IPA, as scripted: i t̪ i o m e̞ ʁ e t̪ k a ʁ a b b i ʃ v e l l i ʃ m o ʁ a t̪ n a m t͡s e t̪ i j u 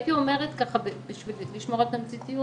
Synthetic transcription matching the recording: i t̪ i o m e̞ ʁ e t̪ k a χ a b b i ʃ v i l l i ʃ m o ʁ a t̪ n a m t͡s i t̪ i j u